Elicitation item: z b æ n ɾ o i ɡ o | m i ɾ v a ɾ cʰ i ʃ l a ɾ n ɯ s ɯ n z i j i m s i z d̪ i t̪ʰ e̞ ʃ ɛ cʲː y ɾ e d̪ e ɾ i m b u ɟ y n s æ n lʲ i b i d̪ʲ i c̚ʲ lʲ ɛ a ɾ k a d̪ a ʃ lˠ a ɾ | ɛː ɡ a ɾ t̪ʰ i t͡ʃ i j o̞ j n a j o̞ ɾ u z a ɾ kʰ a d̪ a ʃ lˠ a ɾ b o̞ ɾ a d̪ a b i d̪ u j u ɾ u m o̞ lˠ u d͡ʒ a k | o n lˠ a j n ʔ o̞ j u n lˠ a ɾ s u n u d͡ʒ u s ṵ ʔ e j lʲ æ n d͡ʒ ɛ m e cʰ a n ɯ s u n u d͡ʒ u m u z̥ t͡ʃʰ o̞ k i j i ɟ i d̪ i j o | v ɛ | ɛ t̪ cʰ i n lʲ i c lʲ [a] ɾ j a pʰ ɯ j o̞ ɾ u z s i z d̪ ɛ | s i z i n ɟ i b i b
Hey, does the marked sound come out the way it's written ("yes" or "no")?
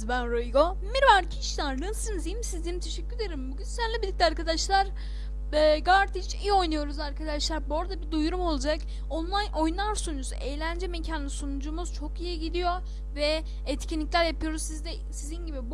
no